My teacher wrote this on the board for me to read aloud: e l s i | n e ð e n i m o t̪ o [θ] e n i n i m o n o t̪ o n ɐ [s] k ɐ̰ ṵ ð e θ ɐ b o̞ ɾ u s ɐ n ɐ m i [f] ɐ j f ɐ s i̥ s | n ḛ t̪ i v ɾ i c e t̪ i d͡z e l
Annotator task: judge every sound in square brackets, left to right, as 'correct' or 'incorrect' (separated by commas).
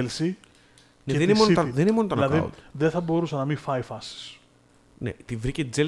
incorrect, incorrect, correct